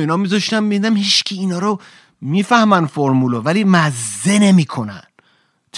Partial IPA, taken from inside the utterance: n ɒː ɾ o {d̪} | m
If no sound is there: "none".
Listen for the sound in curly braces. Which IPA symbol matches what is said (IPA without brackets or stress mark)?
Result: none